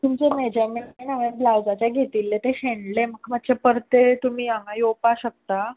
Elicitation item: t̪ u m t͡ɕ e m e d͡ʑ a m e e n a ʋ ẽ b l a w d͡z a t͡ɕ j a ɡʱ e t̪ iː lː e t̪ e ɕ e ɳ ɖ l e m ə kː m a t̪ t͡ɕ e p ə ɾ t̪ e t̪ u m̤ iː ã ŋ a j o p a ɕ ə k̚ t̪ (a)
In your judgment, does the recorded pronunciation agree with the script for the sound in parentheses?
yes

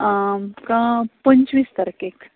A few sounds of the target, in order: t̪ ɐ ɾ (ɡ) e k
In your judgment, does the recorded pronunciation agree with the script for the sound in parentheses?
no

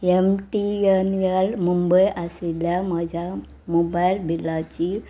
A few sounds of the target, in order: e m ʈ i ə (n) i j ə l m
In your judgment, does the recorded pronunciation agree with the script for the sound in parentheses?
yes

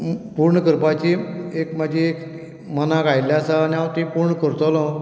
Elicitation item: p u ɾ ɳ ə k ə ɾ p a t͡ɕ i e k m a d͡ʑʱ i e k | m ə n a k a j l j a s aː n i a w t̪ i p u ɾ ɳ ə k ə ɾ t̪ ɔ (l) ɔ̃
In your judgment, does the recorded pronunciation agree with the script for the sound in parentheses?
yes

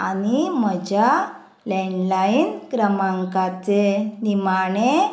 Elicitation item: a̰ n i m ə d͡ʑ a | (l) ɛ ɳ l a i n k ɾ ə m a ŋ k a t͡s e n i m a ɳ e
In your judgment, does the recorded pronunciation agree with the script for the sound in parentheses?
yes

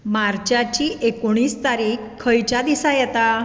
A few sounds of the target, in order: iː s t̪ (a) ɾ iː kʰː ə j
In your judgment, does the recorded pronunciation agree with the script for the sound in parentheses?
yes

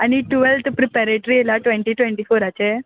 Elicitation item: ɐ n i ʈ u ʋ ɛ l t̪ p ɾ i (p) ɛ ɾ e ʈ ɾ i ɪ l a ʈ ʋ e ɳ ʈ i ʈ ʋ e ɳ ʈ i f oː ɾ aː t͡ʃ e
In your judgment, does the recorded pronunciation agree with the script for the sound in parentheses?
yes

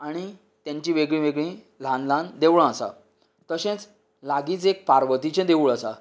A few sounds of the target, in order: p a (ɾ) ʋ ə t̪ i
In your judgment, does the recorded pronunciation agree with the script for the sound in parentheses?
yes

